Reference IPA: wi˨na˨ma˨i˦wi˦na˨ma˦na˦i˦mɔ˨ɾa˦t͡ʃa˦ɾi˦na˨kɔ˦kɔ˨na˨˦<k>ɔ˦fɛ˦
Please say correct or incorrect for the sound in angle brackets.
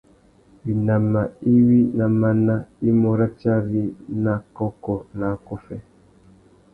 correct